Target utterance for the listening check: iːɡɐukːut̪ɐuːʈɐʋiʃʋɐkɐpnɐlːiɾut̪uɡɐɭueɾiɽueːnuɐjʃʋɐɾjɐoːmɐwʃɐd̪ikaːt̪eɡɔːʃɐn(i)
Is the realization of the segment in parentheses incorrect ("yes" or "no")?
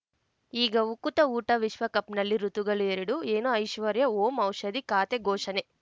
yes